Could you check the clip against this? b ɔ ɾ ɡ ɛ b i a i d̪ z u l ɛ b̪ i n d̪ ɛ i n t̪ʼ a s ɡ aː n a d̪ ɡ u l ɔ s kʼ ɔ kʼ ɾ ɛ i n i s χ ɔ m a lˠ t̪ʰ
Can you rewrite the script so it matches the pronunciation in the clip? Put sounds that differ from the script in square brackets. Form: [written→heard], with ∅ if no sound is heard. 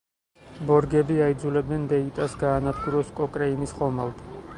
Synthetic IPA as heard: b ɔ ɾ ɡ ɛ b i a i d̪ z u l ɛ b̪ [i→ɛ] n d̪ ɛ i [n→∅] t̪ʼ a s ɡ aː n a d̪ ɡ u [l→ɾ] ɔ s kʼ ɔ kʼ ɾ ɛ i n i s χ ɔ m a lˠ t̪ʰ